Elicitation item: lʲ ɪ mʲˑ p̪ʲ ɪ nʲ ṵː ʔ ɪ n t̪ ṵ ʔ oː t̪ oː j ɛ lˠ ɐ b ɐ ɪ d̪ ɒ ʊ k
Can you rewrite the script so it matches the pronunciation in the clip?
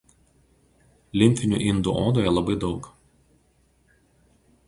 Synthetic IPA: lʲ ɪ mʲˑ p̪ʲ ɪ nʲ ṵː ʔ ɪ n d̪ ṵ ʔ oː d̪ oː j ɛ lˠ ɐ b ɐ ɪ d̪ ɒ ʊ k

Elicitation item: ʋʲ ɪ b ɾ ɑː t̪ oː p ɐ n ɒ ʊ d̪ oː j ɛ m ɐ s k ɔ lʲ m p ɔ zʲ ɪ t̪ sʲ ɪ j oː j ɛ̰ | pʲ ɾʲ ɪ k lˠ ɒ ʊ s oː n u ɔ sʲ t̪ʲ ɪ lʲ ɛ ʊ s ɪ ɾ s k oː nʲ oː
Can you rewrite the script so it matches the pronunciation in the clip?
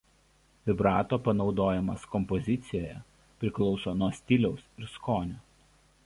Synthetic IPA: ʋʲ ɪ b ɾ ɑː t̪ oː p ɐ n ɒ ʊ d̪ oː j ɛ m ɐ s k ɔ m p ɔ zʲ ɪ t̪ sʲ ɪ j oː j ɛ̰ | pʲ ɾʲ ɪ k lˠ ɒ ʊ s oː n u ɔ sʲ t̪ʲ ɪ lʲ ɛ ʊ s ɪ ɾ s k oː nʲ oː

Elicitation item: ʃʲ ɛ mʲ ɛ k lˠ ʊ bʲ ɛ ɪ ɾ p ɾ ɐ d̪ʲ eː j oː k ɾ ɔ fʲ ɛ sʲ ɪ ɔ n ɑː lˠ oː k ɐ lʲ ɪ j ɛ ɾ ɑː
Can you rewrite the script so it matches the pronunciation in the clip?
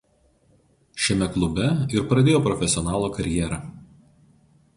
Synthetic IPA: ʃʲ ɛ mʲ ɛ k lˠ ʊ bʲ ɛ ɪ ɾ p ɾ ɐ d̪ʲ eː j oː p ɾ ɔ fʲ ɛ sʲ ɪ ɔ n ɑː lˠ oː k ɐ ɾʲ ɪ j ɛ ɾ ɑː

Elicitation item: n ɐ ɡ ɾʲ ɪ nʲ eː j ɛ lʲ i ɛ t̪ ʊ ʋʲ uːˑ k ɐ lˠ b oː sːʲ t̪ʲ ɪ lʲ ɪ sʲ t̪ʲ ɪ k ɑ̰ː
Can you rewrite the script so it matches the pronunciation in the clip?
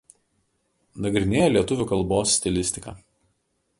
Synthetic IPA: n ɐ ɡ ɾʲ ɪ nʲ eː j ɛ lʲ i ɛ t̪ ʊ ʋʲ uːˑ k ɐ lˠ b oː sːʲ t̪ʲ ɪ lʲ ɪ sʲ t̪ʲ ɪ k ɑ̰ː

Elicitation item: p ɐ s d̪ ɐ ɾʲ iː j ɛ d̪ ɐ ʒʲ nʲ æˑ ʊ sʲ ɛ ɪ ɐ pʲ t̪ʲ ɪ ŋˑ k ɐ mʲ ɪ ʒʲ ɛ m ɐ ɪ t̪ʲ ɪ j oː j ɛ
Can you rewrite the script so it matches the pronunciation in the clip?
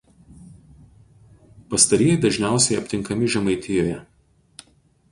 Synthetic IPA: p ɐ s t̪ ɐ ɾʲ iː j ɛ d̪ ɐ ʒʲ nʲ æˑ ʊ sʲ ɛ ɪ ɐ pʲ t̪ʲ ɪ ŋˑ k ɐ mʲ ɪ ʒʲ ɛ m ɐ ɪ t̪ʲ ɪ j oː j ɛ

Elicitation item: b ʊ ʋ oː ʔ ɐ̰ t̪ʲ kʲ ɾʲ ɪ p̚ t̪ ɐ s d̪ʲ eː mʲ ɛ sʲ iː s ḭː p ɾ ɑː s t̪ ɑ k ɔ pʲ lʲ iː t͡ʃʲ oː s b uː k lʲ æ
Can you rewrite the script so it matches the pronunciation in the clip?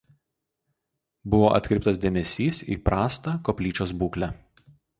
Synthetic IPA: b ʊ ʋ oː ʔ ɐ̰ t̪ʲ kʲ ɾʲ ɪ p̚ t̪ ɐ s d̪ʲ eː mʲ ɛ sʲ iː s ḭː p ɾ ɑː s t̪ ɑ k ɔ pʲ lʲ iː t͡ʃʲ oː s b uː k lʲ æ

